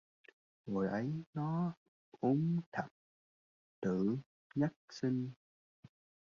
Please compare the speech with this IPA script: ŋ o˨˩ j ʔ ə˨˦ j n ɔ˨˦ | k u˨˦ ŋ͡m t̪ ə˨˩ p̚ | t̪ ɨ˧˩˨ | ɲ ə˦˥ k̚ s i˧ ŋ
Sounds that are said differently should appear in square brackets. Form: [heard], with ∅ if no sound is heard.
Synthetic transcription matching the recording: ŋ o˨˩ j ʔ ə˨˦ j n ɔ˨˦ | [ʔ] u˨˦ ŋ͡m [t̪ʰ] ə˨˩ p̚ | t̪ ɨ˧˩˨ | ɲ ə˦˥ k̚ s i˧ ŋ